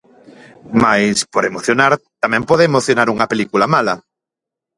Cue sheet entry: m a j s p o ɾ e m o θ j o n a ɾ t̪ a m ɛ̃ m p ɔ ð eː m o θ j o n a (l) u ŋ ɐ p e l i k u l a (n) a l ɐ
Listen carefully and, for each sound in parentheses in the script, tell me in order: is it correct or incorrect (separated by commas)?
incorrect, incorrect